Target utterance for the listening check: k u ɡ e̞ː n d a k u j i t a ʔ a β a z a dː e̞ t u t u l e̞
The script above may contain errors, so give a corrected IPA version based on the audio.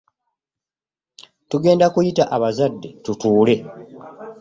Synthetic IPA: t u ɡ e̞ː n d a k u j i t a ʔ a β a z a dː e̞ t u t uː l e̞